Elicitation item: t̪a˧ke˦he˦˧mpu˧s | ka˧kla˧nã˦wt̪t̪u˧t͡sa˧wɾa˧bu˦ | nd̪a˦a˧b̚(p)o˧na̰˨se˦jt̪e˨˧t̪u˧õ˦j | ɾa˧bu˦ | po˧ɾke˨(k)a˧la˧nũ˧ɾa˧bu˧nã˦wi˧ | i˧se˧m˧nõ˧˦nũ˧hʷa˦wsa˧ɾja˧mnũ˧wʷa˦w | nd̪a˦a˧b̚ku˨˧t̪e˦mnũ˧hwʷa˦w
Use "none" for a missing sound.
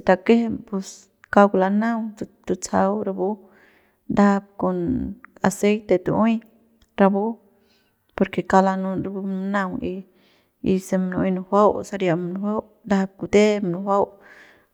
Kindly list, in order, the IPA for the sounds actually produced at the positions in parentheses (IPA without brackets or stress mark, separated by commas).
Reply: k, k